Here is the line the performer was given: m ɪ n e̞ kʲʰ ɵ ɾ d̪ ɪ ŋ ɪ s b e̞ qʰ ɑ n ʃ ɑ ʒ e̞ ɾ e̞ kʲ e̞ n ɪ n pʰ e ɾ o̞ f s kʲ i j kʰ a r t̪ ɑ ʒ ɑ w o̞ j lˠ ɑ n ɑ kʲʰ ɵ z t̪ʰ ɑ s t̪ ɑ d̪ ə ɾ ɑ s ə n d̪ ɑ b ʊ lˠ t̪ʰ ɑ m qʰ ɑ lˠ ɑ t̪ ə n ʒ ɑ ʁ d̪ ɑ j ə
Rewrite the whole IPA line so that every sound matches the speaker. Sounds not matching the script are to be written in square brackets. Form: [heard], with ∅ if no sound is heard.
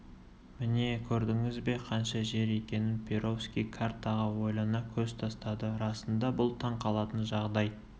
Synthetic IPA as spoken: m ɪ n e̞ kʲʰ ɵ ɾ d̪ ɪ ŋ ɪ [z] b e̞ qʰ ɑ n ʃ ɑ ʒ e̞ ɾ e̞ kʲ e̞ n ɪ n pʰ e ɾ o̞ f s kʲ i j kʰ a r t̪ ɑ [ʁ] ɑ w o̞ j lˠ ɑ n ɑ kʲʰ ɵ z t̪ʰ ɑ s t̪ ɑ d̪ ə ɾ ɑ s ə n d̪ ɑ b ʊ lˠ t̪ʰ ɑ [ɴ] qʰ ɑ lˠ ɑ t̪ ə n ʒ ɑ ʁ d̪ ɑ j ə